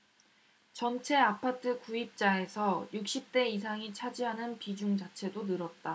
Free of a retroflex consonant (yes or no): yes